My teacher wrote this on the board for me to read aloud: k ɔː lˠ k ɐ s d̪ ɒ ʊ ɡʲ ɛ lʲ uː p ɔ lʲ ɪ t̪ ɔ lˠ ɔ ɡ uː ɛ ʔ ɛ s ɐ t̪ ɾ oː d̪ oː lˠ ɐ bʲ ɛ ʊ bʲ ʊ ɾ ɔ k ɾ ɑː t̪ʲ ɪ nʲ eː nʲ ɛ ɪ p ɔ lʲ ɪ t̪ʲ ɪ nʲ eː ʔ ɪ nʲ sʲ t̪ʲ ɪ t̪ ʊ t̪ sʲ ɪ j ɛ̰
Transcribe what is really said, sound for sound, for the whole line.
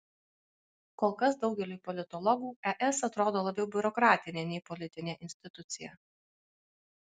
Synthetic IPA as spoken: k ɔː lˠ k ɐ s d̪ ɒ ʊ ɡʲ ɛ lʲ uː p ɔ lʲ ɪ t̪ ɔ lˠ ɔ ɡ uː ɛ ʔ ɛ s ɐ t̪ ɾ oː d̪ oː lˠ ɐ bʲ ɛ ʊ bʲ ʊ ɾ ɔ k ɾ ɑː t̪ʲ ɪ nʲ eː nʲ ɛ ɪ p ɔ lʲ ɪ t̪ʲ ɪ nʲ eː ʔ ɪ nʲ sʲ t̪ʲ ɪ t̪ ʊ t̪ sʲ ɪ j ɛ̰